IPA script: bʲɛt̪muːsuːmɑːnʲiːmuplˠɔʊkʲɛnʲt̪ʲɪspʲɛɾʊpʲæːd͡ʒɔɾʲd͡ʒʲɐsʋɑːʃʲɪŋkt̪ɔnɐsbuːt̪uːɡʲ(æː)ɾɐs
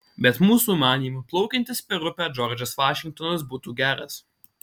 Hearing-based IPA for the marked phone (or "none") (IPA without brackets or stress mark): æː